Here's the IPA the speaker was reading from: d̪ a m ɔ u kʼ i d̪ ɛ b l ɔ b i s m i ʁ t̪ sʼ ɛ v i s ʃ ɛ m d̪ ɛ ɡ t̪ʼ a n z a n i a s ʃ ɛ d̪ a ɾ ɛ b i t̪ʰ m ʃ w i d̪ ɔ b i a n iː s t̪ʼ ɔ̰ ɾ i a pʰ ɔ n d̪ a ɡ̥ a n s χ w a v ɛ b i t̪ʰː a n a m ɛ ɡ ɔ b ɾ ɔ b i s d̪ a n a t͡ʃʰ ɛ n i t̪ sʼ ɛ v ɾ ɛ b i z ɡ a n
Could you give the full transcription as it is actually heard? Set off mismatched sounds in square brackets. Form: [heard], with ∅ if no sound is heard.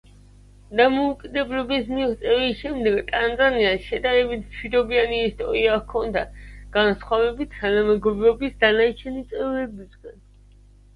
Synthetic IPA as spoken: d̪ a m ɔ u kʼ i d̪ ɛ b l ɔ b i s m i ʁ t̪ sʼ ɛ v i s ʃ ɛ m d̪ ɛ ɡ t̪ʼ a n z a n i a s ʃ ɛ d̪ a ɾ ɛ b i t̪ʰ m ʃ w i d̪ ɔ b i a n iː s t̪ʼ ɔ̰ ɾ i a [kʰ] ɔ n d̪ a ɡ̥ a n s χ w a v ɛ b i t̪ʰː a n a m ɛ ɡ ɔ b ɾ ɔ b i s d̪ a n a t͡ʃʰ ɛ n i t̪ sʼ ɛ v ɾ ɛ b i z ɡ a n